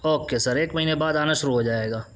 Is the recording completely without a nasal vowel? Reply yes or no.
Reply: yes